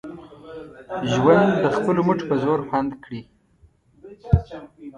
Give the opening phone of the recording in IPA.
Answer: ʒ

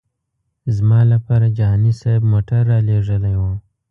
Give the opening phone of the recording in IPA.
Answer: z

